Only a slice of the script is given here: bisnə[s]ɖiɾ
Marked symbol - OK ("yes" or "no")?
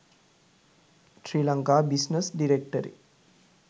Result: yes